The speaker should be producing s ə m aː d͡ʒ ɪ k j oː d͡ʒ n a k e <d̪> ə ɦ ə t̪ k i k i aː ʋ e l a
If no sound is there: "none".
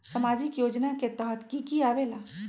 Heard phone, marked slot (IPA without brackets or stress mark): t̪